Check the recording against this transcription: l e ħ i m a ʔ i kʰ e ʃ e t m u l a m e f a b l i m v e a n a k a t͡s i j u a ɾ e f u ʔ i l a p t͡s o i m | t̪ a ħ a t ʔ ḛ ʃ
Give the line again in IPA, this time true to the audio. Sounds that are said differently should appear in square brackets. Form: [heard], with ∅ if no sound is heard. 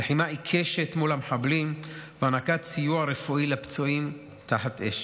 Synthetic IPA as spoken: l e ħ i m a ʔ i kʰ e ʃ e t m u l a m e [ħ] a b l i m v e a n a k a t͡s i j u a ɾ e f u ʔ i l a p t͡s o i m | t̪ a ħ a t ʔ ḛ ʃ